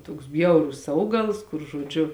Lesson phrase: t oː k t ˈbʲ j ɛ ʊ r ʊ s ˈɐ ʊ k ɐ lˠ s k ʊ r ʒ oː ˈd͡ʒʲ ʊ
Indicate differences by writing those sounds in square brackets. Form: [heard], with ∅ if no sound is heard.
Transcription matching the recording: t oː k [s] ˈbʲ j ɛ ʊ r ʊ s ˈɐ ʊ [ɡ] ɐ lˠ s k ʊ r ʒ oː ˈd͡ʒʲ ʊ